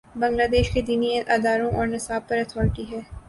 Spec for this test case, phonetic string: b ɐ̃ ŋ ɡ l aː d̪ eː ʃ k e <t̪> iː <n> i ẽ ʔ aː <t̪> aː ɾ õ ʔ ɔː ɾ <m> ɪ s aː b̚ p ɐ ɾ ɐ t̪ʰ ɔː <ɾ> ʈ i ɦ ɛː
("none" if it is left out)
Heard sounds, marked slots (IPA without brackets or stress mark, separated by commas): d̪, n, d̪, n, ɾ